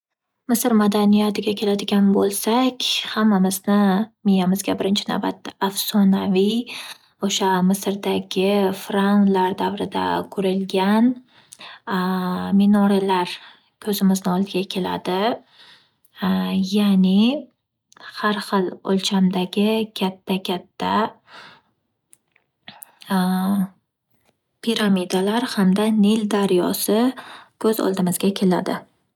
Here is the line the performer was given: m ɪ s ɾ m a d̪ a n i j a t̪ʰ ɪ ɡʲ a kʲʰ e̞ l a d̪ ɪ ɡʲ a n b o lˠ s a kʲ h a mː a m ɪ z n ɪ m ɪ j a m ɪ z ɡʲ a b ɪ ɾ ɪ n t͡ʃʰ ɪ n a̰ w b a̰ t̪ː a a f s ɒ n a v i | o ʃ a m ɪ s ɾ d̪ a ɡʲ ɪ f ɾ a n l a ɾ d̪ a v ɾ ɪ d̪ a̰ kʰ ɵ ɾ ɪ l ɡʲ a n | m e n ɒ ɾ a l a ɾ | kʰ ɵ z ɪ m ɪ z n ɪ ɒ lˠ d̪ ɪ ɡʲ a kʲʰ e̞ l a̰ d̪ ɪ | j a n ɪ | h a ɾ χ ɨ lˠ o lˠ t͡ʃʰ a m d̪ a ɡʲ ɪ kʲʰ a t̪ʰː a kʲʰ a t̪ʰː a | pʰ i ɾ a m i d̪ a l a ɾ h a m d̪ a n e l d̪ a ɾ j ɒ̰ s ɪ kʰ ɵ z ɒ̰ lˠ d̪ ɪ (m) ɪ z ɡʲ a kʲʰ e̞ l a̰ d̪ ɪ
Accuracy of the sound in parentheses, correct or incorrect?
correct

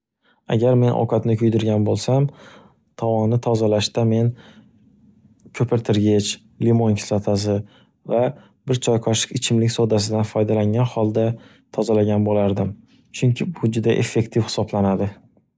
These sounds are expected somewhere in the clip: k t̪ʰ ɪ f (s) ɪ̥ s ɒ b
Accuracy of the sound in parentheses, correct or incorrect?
incorrect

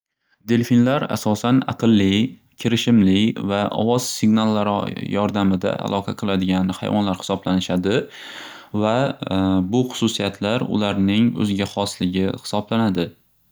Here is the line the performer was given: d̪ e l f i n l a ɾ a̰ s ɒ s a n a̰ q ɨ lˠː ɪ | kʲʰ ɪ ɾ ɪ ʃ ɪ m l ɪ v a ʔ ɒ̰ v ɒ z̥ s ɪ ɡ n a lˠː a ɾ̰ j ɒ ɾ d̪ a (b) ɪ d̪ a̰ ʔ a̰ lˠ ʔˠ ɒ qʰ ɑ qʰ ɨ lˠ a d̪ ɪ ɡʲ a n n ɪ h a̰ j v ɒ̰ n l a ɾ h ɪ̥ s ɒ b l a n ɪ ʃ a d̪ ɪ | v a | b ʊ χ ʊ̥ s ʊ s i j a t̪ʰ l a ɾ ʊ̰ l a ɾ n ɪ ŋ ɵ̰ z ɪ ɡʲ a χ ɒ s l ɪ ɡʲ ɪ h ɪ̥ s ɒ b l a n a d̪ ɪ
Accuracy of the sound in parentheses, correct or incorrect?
incorrect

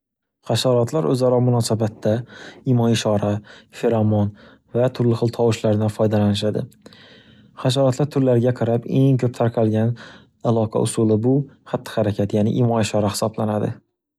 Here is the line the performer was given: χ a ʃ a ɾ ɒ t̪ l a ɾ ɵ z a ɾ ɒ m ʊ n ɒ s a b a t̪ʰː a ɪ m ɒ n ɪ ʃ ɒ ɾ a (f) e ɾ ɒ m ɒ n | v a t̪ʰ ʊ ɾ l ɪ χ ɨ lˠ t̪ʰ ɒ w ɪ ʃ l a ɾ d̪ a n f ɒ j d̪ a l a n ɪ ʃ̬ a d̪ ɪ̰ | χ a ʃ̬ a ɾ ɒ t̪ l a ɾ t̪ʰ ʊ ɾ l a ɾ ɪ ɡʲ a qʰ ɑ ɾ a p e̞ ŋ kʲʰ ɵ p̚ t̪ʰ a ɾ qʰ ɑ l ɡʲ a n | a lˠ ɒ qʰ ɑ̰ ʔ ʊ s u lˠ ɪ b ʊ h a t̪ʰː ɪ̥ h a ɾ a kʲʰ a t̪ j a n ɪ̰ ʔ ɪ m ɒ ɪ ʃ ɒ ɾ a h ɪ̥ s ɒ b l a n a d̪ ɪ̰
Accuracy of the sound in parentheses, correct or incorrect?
correct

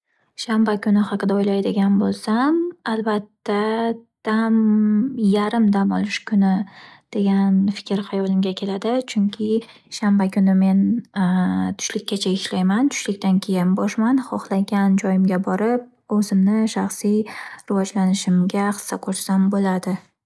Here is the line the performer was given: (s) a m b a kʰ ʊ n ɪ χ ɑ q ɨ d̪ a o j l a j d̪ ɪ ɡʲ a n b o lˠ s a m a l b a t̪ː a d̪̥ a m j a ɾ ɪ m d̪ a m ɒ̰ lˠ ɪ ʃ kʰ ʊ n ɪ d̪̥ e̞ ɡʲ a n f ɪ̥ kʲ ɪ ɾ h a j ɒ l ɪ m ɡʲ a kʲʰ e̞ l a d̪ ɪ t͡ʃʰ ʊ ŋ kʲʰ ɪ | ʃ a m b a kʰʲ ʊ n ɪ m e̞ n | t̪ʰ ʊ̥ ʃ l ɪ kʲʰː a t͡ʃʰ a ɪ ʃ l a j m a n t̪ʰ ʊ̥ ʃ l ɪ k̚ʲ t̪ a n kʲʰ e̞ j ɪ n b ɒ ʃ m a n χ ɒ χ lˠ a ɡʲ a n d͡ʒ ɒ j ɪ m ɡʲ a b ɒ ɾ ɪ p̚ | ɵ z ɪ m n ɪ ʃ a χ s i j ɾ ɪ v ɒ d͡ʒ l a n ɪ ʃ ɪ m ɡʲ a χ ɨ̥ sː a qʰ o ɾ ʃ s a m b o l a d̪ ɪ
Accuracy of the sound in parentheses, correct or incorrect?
incorrect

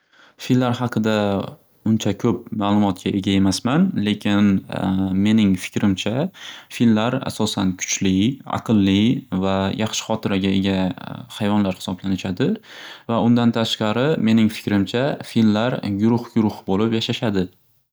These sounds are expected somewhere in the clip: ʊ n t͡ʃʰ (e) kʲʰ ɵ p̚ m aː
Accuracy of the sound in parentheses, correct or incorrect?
incorrect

